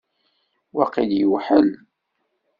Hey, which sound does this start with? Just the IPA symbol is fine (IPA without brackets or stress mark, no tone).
w